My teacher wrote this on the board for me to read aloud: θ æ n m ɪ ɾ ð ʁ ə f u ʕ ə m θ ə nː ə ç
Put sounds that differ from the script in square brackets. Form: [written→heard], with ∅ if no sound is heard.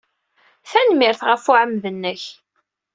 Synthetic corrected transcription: θ æ n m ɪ ɾ [ð→θ] ʁ ə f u ʕ ə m [θ→ð] ə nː ə ç